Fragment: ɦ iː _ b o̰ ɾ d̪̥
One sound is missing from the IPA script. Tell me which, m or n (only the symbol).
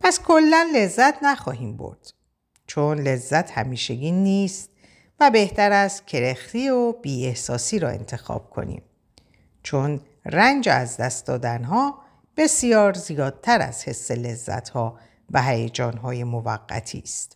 m